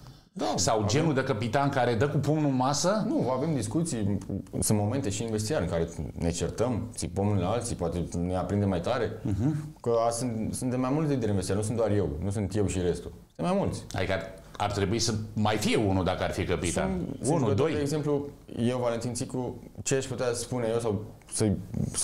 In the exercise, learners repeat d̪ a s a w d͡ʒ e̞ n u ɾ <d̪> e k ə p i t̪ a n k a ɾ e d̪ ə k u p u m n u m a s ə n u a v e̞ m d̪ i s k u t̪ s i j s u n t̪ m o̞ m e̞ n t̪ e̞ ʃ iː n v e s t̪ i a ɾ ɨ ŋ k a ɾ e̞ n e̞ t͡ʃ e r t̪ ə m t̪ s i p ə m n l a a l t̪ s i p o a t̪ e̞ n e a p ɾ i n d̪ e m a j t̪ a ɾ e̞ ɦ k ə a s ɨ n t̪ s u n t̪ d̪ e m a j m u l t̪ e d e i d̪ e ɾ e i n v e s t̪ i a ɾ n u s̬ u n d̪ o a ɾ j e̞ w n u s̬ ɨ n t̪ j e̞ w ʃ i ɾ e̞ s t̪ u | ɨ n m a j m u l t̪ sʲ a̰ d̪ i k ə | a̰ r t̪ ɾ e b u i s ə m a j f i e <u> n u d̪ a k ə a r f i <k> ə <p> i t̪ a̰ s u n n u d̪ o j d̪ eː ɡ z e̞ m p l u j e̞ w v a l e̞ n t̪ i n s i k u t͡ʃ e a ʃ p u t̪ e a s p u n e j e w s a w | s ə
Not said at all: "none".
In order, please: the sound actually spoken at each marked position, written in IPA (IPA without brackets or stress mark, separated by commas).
d̪, u, k, p